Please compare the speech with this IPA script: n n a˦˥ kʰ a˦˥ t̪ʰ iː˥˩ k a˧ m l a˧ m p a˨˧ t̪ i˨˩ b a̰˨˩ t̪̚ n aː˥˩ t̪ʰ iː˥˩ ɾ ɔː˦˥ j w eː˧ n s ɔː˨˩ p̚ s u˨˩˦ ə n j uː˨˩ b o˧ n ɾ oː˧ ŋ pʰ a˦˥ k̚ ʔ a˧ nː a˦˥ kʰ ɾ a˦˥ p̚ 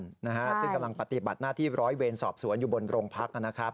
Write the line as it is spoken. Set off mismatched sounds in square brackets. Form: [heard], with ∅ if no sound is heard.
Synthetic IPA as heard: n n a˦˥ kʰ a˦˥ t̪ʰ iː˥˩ k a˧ m l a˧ [ŋ] p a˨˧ t̪ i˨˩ b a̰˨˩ t̪̚ n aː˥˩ t̪ʰ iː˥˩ ɾ ɔː˦˥ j w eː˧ n s ɔː˨˩ p̚ s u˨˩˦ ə n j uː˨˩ b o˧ n ɾ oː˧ ŋ pʰ a˦˥ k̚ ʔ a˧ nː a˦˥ kʰ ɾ a˦˥ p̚